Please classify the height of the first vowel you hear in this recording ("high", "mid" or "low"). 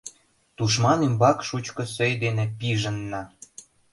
high